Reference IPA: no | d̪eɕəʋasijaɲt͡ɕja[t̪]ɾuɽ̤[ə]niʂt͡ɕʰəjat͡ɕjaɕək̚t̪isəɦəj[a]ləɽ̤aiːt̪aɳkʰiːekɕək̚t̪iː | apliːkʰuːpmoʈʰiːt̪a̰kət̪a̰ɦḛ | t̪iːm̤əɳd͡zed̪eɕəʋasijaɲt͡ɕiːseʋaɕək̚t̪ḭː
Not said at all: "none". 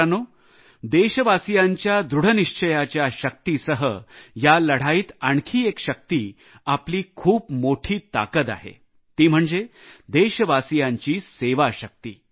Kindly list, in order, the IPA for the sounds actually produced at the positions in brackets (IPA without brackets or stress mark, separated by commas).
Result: d̪, ə, a